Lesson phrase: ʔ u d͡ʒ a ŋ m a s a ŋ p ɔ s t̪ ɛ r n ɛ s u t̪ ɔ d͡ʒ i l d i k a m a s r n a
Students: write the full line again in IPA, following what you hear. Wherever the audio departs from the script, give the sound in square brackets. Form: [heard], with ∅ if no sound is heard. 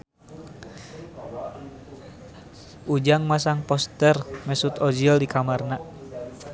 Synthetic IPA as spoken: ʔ u d͡ʒ a ŋ m a s a ŋ p ɔ s t̪ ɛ r [m] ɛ s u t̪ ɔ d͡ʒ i l d i k a m a [∅] r n a